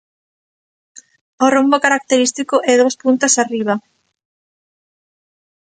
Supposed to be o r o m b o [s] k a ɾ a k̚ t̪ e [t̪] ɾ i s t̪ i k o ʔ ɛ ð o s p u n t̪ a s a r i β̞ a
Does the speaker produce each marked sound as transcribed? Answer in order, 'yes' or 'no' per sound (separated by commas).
no, no